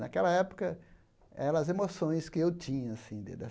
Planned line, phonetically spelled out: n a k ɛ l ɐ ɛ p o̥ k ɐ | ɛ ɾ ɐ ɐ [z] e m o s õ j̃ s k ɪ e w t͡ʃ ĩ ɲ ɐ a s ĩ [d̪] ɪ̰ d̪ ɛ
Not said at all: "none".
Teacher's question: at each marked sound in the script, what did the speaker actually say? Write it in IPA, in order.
z, d̪

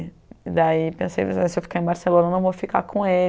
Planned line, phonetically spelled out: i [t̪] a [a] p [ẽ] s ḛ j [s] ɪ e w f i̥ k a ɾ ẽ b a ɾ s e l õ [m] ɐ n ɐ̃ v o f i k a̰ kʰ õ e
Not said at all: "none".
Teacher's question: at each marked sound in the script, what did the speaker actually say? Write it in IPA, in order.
d̪, i, ẽ, s, n

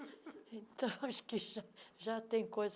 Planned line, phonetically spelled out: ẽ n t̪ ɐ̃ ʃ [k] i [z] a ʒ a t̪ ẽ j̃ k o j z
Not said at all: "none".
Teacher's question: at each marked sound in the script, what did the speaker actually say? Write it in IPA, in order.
k, ʒ

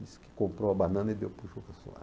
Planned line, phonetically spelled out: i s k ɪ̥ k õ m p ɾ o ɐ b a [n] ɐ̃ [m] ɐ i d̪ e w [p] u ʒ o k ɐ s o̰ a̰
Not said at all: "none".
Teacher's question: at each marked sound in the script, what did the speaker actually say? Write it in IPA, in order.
n, n, p

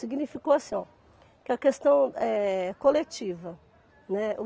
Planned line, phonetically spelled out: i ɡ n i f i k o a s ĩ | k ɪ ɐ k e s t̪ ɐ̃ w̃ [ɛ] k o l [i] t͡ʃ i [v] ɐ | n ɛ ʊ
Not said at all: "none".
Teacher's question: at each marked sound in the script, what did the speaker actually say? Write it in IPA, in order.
ɛ, e, v

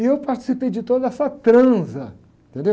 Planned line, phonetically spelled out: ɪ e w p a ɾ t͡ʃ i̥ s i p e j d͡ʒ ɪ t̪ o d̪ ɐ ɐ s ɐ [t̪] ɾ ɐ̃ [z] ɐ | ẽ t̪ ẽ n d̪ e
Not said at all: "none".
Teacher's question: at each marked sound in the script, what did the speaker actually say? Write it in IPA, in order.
t̪, z

